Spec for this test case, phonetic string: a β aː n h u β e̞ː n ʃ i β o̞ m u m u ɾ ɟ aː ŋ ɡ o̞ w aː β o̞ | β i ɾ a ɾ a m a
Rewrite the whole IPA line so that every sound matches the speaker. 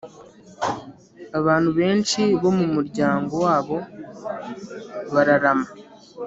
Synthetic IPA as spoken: a β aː n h u β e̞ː n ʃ i β o̞ m u m u ɾ ɟ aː ŋ ɡ o̞ w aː β o̞ | β a ɾ a ɾ a m a